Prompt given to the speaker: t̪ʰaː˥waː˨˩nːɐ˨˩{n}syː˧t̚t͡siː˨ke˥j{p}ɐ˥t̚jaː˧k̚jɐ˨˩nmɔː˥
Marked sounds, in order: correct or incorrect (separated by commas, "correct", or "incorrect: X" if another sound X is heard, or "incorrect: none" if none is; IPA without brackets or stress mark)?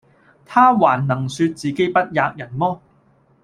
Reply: incorrect: ŋ, correct